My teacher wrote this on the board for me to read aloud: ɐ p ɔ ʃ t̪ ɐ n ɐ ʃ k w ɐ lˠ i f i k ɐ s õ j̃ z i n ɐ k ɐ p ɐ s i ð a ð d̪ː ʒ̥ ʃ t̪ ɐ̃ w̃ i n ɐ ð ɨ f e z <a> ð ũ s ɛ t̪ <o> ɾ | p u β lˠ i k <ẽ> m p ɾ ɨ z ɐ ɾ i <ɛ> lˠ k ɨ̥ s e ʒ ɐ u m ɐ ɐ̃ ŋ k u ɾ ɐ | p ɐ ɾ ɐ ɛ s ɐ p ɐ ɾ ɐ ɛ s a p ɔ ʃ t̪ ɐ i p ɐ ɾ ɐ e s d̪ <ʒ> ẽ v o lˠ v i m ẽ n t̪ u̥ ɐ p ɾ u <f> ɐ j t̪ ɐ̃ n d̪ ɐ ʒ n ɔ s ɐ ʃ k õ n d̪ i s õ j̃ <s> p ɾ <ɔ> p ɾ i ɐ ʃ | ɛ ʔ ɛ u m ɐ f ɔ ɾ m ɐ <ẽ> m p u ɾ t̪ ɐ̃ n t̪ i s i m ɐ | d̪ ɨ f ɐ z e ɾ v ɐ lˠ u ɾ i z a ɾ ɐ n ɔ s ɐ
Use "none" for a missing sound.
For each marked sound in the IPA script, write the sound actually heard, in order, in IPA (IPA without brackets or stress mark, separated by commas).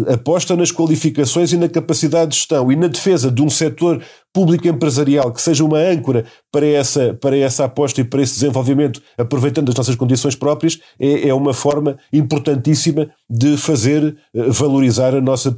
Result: ɐ, o, ẽ, a, z, v, ʃ, ɔ, ĩ